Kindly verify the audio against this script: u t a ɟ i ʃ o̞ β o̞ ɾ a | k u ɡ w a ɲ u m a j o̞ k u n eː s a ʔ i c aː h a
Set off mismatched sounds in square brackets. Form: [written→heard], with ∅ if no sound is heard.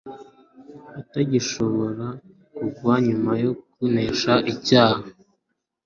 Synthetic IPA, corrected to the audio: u t a ɟ i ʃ o̞ β o̞ ɾ a | k u ɡ w a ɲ u m a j o̞ k u n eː [s→ʃ] a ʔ i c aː h a